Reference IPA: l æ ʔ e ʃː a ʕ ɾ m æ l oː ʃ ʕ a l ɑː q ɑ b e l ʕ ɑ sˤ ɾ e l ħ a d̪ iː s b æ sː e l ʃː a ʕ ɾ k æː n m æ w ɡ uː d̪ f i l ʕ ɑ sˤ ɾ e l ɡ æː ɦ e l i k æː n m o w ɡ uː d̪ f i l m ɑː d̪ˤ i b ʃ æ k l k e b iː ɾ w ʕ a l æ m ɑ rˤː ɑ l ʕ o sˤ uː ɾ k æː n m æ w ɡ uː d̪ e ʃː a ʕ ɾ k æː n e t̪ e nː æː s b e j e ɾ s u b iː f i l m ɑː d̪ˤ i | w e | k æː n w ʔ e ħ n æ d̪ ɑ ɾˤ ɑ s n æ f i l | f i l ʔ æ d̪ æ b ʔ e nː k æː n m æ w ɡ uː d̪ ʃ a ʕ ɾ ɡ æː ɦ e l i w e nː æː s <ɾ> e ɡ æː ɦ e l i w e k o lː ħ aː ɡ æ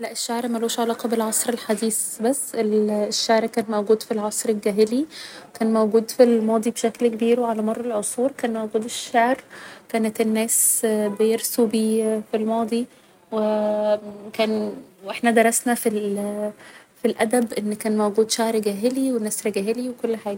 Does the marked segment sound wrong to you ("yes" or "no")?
no